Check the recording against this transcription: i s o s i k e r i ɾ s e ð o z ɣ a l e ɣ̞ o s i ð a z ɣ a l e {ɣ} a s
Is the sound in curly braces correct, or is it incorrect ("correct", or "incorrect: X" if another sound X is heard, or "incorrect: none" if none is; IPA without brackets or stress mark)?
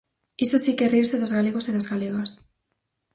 correct